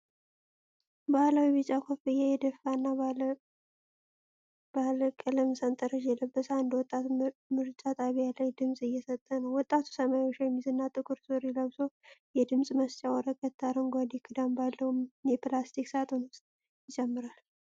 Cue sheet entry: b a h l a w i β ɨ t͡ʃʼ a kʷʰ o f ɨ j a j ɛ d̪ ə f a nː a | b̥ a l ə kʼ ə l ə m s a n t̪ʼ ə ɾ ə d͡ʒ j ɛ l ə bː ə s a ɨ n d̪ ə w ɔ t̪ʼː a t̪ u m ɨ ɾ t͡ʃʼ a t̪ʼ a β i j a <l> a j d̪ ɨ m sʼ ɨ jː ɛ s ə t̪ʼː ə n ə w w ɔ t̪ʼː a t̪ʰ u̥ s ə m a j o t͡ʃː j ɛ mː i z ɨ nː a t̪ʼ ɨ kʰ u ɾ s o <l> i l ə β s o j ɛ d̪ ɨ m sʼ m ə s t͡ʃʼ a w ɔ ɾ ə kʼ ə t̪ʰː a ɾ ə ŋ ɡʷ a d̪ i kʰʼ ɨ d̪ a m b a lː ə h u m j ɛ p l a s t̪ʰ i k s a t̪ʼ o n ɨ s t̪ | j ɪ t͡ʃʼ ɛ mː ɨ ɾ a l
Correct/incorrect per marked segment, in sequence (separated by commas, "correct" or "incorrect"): correct, incorrect